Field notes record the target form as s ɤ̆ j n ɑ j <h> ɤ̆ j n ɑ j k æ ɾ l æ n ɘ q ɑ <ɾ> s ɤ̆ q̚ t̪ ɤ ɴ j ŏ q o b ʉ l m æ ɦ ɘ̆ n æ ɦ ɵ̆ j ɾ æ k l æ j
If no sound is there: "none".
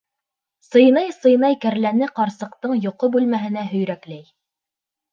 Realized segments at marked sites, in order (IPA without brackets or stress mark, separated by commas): s, ɾ